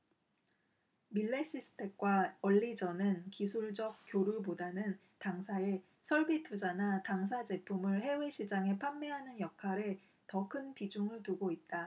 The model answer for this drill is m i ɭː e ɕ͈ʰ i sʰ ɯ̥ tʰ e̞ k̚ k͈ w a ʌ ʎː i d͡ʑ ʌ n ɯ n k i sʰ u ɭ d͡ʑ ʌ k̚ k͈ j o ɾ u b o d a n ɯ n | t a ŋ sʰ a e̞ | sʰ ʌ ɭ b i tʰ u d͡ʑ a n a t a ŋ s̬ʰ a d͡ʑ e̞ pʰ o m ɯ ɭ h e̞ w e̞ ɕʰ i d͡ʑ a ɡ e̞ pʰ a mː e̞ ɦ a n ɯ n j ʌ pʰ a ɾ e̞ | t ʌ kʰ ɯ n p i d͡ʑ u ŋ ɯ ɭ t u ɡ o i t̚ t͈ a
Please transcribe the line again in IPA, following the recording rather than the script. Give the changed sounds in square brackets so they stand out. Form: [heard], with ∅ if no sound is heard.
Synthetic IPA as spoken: m i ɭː e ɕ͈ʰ i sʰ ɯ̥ tʰ e̞ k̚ k͈ w a ʌ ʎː i d͡ʑ ʌ n ɯ n k i sʰ u ɭ d͡ʑ ʌ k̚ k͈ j o ɾ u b o d a n ɯ n | t a ŋ sʰ a e̞ | sʰ ʌ ɭ b i tʰ u d͡ʑ a n a t a ŋ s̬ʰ a d͡ʑ e̞ pʰ [u] m ɯ ɭ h e̞ w e̞ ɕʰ i d͡ʑ a [ŋ] e̞ pʰ a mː e̞ ɦ a n ɯ n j ʌ [kʰ] a ɾ e̞ | t ʌ kʰ ɯ n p i d͡ʑ u ŋ ɯ ɭ t u ɡ o i t̚ t͈ a